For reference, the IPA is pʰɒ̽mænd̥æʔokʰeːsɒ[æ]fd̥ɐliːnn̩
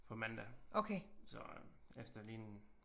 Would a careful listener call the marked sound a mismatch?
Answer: yes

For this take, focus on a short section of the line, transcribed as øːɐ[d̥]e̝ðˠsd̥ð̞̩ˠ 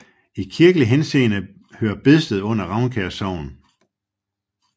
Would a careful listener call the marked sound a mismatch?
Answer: yes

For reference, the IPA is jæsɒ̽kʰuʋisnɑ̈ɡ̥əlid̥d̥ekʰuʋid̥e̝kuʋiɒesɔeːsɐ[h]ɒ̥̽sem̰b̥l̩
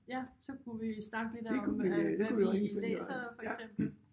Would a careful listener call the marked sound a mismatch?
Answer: yes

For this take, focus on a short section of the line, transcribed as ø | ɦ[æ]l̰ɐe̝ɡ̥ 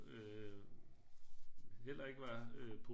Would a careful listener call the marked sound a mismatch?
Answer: yes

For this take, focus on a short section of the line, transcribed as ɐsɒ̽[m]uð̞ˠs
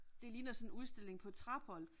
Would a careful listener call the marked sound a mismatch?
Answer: yes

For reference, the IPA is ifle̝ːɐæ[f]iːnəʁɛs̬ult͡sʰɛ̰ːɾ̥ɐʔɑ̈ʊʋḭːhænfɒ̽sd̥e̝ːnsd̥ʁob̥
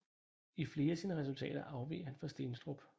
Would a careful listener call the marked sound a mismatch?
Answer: yes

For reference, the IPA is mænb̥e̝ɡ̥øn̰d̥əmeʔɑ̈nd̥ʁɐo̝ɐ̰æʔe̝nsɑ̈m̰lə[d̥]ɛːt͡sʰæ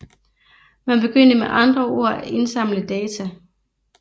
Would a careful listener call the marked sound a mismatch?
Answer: no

